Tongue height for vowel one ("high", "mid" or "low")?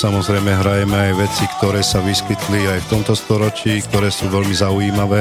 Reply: low